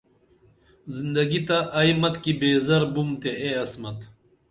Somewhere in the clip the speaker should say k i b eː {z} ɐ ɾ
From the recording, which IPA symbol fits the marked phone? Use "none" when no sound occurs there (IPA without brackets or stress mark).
z